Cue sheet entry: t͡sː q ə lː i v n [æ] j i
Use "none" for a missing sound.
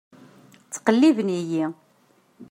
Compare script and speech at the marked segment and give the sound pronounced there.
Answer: i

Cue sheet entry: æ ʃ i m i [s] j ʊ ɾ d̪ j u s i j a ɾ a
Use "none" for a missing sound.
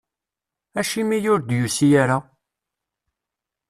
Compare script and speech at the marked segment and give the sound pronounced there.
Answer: none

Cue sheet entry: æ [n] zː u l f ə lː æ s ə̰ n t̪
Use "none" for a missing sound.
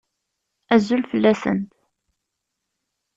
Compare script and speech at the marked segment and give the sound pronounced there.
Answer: none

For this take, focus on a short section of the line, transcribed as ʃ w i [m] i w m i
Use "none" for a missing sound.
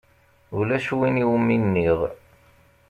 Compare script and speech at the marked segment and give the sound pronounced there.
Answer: n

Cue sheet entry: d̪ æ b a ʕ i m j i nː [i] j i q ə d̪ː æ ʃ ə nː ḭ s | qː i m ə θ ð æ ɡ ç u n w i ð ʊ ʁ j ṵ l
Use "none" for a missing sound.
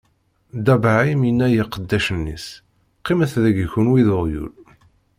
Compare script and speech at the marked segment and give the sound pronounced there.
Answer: æ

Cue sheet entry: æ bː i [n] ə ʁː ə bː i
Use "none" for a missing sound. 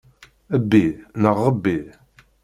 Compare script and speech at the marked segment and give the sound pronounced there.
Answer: n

